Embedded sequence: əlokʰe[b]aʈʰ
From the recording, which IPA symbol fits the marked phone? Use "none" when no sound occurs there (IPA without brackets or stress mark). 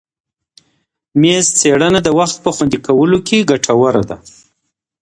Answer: ɡ